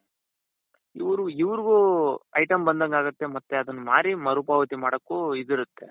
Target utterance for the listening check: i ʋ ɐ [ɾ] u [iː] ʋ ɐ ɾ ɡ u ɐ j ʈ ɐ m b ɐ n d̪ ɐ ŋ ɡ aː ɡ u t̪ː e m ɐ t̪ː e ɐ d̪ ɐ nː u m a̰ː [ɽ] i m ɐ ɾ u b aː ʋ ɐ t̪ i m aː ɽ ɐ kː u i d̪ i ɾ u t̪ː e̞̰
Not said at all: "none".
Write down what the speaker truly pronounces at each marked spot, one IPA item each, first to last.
ɾ, i, ɾ

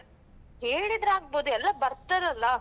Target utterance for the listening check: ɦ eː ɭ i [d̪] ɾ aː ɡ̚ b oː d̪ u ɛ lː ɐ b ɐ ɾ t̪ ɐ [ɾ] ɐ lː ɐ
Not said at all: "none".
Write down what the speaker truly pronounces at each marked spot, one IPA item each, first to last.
d̪, ɾ

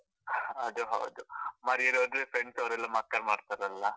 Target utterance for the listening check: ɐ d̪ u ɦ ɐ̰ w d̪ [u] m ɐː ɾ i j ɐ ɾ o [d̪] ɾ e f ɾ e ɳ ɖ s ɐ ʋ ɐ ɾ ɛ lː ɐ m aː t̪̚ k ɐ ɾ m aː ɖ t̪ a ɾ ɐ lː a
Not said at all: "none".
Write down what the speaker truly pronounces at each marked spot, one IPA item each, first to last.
u, d̪

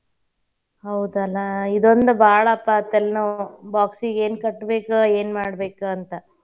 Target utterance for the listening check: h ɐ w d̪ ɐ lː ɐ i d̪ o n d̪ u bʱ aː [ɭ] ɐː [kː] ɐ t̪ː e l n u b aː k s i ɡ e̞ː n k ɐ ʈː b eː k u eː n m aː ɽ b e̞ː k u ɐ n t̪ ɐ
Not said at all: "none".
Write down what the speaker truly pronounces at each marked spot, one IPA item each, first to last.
ɭ, pː

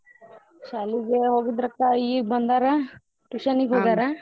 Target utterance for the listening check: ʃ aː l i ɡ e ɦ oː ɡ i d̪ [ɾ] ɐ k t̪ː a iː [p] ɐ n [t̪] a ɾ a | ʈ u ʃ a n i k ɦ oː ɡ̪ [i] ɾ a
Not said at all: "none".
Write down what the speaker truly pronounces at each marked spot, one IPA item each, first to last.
ɾ, b, d̪, a

